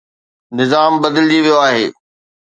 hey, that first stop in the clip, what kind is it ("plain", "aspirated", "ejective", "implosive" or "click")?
plain